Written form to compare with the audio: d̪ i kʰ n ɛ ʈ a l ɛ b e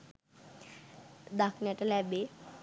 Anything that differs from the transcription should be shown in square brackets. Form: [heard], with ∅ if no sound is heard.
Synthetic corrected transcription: d̪ [a] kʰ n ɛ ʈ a l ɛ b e